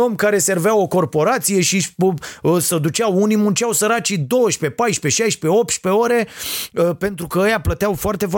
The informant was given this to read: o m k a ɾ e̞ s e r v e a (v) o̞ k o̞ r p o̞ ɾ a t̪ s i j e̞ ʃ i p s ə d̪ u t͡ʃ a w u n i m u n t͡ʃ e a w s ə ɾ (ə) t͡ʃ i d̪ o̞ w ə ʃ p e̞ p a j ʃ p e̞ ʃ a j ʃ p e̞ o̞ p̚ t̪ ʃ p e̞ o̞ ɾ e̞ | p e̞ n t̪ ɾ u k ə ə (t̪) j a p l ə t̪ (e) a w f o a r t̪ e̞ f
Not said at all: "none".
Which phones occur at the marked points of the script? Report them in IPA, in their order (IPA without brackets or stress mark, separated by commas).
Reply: w, a, none, e